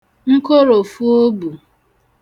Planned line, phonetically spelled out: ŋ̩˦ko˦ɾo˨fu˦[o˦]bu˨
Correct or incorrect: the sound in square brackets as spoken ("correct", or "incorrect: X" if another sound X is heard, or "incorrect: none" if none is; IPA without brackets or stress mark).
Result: correct